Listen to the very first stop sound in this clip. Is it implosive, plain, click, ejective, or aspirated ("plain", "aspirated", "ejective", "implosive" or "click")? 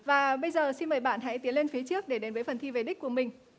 implosive